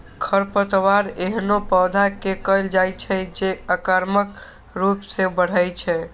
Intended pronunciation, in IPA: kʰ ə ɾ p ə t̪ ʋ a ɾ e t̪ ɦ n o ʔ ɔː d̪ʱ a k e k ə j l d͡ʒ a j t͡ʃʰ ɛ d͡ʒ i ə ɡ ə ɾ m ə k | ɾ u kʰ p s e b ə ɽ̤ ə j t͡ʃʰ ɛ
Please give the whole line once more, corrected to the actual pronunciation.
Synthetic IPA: kʰ ə ɾ p ə t̪ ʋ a ɾ e ɦ n o p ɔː d̪ʱ a k e k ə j l d͡ʒ a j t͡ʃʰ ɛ d͡ʒ e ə k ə ɾ m ə k | ɾ u p s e b ə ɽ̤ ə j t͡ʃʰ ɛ